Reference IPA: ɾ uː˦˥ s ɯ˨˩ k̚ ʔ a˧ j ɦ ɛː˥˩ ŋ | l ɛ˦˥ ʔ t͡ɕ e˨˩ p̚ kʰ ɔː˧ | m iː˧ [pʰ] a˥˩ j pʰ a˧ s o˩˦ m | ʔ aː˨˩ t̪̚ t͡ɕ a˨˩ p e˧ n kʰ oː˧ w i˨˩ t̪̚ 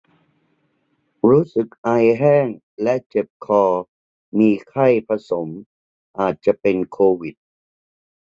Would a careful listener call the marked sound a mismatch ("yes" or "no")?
yes